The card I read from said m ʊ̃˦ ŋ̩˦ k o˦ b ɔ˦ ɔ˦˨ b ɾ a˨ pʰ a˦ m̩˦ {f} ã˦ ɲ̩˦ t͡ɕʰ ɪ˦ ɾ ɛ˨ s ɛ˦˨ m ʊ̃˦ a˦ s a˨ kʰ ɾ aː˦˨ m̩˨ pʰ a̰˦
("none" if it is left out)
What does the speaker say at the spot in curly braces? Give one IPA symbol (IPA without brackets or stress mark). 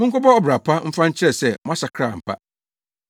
f